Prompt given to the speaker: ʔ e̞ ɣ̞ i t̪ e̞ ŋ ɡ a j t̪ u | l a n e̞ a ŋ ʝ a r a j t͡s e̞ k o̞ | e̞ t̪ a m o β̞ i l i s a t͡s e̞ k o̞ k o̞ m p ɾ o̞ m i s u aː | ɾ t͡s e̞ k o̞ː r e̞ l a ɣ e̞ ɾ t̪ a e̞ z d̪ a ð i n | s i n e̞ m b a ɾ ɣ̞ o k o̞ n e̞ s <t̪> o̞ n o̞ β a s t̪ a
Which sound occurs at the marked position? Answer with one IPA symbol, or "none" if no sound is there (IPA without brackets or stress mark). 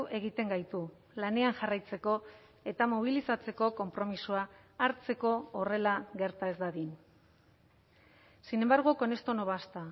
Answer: t̪